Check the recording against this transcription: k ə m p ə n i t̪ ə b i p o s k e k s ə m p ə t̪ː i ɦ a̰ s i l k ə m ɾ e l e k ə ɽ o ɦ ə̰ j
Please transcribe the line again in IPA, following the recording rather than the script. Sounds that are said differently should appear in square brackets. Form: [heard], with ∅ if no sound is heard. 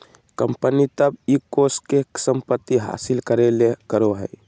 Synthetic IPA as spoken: k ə m p ə n i t̪ ə b i [k] o s k e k s ə m p ə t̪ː i ɦ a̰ s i l k ə [∅] ɾ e l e k ə [ɾ] o ɦ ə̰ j